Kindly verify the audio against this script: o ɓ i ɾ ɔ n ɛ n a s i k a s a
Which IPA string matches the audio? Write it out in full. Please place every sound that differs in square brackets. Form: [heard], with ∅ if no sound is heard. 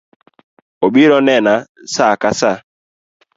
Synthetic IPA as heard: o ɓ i ɾ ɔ n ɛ n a s [a] k a s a